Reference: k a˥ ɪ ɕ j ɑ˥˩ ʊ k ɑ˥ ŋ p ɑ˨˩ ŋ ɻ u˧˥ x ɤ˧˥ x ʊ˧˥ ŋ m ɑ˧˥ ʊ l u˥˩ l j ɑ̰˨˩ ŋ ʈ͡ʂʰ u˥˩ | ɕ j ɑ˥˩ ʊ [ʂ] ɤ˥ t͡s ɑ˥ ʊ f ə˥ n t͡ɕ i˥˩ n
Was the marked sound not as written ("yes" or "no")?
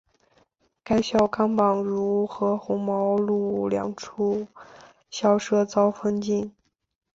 no